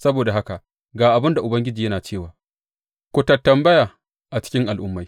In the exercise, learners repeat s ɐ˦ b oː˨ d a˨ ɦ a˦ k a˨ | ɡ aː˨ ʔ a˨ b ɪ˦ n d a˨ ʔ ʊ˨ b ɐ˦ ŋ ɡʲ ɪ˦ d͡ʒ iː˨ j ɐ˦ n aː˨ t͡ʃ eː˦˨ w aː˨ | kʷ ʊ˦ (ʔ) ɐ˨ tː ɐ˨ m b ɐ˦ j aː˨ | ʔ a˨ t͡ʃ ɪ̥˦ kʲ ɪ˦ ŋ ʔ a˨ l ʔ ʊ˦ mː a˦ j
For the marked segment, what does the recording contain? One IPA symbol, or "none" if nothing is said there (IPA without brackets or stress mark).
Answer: t